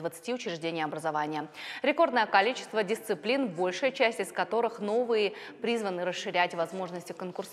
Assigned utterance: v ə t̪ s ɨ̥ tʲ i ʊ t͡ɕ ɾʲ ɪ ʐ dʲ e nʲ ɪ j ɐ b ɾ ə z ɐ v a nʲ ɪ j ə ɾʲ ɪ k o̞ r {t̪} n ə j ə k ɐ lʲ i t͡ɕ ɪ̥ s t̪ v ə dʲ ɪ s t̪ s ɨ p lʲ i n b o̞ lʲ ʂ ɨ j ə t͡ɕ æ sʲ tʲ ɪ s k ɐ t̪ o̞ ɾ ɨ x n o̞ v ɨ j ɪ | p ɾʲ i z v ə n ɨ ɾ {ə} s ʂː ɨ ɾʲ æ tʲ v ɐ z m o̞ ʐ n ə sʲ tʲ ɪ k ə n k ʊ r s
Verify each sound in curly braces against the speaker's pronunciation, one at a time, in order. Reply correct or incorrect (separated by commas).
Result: incorrect, correct